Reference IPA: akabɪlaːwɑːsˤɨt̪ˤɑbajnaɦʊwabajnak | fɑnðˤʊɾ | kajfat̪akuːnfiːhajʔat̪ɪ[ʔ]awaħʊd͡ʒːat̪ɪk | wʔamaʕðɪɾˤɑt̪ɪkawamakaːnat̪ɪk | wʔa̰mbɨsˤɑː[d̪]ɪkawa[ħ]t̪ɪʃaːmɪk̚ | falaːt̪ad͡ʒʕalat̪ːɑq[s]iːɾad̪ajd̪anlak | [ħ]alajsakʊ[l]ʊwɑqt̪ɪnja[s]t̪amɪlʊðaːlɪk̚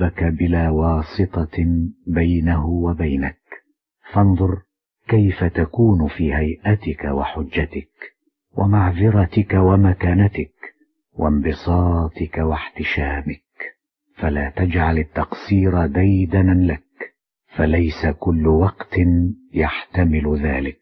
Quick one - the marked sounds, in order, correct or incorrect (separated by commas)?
incorrect, incorrect, correct, correct, incorrect, incorrect, incorrect